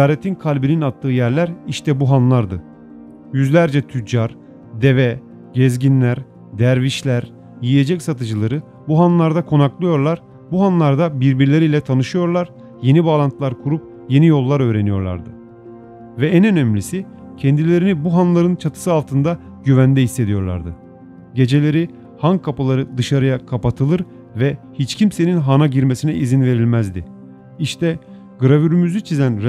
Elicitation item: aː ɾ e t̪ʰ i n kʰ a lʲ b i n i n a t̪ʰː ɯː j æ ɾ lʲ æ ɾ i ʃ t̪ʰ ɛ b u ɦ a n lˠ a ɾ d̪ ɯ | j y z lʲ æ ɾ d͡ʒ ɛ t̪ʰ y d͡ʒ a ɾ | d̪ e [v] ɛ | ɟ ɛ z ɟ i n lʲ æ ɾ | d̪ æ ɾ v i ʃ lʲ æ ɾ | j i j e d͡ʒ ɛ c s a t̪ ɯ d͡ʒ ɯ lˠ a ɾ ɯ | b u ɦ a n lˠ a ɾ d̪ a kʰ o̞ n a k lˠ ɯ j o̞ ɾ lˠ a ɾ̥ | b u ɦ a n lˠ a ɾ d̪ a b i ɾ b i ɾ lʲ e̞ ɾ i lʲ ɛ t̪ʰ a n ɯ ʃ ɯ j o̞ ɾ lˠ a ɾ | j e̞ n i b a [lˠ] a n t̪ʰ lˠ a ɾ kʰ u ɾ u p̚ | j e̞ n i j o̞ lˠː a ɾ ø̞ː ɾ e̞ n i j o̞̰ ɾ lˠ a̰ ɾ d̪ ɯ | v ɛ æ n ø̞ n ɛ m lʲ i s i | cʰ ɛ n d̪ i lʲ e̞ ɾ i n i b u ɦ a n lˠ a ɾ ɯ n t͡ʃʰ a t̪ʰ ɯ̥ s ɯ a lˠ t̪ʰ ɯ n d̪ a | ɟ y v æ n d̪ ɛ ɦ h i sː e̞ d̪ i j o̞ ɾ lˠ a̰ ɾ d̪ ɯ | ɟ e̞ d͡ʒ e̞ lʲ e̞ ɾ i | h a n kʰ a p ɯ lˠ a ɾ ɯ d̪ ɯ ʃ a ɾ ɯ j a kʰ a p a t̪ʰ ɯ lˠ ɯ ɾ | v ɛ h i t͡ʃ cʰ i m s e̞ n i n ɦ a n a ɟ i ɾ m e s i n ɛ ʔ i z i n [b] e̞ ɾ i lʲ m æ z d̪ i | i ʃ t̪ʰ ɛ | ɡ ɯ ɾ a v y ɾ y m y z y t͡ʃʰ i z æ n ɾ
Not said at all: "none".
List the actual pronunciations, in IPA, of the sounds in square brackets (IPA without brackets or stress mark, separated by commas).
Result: v, lˠ, v